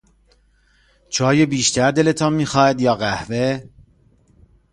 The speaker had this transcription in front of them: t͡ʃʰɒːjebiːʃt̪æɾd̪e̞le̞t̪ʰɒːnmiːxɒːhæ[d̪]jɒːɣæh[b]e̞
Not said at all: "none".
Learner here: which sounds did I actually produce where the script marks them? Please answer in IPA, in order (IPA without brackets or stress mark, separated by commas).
d̪, v